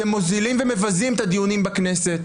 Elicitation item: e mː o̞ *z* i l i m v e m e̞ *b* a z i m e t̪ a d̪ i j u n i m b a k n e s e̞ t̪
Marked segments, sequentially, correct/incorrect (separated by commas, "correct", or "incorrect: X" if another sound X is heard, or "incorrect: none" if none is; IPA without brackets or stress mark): correct, incorrect: v